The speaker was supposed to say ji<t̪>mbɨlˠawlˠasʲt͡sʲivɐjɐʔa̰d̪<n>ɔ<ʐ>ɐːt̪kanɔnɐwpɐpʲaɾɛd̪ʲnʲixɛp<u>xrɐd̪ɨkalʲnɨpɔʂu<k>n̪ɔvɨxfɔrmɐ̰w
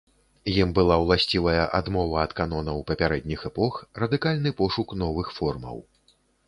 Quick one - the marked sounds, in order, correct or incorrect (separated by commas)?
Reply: incorrect, incorrect, incorrect, incorrect, correct